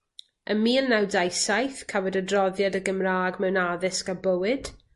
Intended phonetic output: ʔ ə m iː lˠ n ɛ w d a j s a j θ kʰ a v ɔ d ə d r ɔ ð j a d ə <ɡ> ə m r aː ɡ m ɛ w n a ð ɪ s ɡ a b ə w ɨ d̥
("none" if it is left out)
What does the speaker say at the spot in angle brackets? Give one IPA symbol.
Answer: ɡ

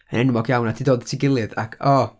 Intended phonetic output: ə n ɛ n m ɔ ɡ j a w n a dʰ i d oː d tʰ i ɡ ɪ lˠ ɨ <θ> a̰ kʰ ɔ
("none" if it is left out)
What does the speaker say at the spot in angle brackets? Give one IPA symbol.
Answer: ð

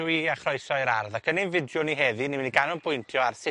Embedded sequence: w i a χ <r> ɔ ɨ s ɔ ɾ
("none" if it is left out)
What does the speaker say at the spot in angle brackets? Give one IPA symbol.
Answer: r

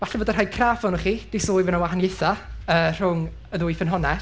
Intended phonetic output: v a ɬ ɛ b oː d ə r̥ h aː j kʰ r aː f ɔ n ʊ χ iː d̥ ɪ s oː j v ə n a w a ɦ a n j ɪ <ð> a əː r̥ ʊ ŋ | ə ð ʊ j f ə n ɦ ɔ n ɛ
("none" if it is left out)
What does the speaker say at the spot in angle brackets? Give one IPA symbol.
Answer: θ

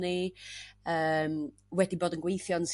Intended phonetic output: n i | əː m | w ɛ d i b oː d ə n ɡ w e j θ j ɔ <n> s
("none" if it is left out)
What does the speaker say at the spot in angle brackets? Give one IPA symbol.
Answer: n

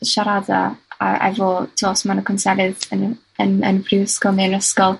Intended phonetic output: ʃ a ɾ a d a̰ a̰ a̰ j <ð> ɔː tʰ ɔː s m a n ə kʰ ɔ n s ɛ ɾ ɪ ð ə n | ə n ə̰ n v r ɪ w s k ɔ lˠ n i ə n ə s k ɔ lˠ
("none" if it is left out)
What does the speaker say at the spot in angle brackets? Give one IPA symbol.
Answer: v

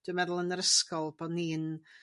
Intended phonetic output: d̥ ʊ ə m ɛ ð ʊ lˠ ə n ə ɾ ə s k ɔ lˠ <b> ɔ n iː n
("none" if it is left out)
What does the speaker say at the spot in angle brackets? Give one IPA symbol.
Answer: b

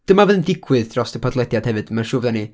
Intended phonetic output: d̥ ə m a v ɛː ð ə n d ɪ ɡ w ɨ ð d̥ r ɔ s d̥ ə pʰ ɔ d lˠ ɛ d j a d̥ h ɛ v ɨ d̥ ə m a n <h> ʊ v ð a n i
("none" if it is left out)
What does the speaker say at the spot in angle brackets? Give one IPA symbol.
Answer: ʃ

